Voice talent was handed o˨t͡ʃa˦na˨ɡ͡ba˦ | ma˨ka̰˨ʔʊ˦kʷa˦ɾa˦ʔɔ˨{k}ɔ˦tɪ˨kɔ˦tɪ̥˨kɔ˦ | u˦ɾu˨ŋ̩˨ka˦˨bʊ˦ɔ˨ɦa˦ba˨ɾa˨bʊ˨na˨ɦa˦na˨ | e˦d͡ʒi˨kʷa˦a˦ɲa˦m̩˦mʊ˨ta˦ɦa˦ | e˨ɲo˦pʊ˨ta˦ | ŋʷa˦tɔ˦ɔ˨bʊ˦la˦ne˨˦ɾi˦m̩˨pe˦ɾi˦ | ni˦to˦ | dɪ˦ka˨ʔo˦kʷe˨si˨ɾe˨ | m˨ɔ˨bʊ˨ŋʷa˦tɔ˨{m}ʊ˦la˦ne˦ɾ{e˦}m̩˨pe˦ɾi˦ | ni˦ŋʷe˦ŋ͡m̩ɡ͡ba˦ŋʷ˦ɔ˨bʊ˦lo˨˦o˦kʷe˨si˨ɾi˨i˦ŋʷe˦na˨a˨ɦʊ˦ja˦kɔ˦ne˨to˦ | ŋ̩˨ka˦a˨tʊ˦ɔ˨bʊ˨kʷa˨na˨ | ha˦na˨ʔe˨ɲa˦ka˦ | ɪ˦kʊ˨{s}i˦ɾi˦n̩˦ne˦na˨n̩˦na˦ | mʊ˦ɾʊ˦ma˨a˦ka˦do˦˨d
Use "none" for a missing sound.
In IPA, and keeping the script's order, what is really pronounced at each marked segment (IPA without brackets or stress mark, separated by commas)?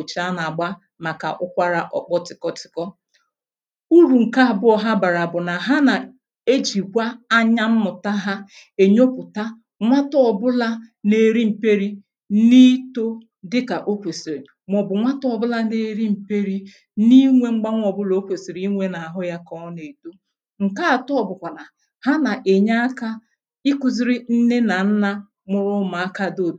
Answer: k͡p, b, i˦, z